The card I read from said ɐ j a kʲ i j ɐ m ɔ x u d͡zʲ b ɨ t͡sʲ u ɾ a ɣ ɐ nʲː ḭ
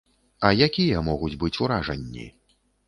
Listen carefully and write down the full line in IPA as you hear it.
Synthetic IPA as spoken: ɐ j a kʲ i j ɐ m ɔ ɣ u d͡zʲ b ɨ t͡sʲ u ɾ a ʐ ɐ nʲː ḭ